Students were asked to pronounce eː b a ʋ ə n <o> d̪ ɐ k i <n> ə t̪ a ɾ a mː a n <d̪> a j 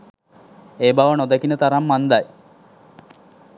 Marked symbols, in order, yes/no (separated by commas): yes, yes, yes